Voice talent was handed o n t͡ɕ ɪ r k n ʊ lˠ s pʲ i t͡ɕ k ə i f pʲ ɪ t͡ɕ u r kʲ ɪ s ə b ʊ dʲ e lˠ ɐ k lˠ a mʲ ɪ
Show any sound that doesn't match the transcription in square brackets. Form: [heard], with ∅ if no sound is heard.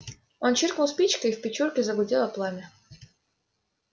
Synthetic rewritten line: o n t͡ɕ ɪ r k n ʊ lˠ s pʲ i t͡ɕ k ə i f pʲ ɪ t͡ɕ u r kʲ ɪ [z] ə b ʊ dʲ e lˠ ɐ [p] lˠ a mʲ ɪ